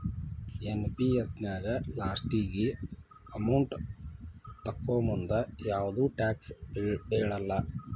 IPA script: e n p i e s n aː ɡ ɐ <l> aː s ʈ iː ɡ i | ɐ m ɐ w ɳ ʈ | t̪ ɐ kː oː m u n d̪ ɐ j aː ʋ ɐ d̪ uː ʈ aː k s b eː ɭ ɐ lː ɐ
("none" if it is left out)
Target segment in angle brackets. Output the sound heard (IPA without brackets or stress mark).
l